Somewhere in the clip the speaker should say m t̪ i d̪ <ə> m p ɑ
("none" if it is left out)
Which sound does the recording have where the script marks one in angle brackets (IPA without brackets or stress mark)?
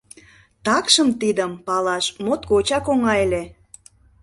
ə